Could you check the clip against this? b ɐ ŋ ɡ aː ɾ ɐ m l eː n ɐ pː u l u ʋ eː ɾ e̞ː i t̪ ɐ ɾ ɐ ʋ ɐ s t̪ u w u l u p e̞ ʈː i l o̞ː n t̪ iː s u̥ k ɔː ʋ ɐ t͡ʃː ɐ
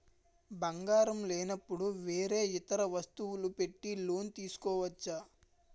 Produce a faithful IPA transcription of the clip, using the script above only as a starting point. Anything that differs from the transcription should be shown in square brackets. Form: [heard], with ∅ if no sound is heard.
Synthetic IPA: b ɐ ŋ ɡ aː ɾ ɐ m l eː n ɐ pː u [ɽ] u ʋ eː ɾ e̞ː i t̪ ɐ ɾ ɐ ʋ ɐ s t̪ u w u l u p e̞ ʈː i l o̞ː n t̪ iː s u̥ k ɔː ʋ ɐ t͡ʃː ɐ